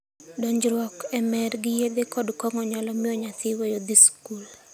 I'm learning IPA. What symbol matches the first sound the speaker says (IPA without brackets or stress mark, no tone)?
d